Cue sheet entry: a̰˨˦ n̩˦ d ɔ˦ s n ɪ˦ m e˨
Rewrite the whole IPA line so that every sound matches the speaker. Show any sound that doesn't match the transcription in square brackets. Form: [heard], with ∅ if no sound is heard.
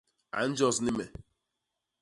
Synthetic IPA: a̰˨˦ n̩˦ [d͡ʒ] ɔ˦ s n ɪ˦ m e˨